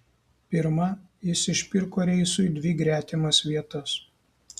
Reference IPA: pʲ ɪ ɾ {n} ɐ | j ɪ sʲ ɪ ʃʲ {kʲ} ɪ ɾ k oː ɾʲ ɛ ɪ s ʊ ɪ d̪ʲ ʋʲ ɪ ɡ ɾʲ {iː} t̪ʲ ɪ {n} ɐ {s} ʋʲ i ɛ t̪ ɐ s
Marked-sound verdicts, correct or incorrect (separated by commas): incorrect, incorrect, incorrect, incorrect, correct